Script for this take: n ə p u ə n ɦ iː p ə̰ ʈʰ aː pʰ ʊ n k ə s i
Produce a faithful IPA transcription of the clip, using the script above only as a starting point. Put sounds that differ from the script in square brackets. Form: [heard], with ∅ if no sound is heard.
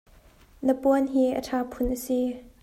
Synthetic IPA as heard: n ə p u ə n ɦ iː [ʔ] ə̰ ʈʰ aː pʰ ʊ n [ʔ] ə s i